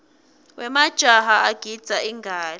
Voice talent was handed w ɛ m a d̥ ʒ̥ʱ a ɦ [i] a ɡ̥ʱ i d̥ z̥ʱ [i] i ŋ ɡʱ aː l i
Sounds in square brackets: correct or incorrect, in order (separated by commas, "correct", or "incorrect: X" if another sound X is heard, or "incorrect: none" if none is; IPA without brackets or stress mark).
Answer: incorrect: a, incorrect: a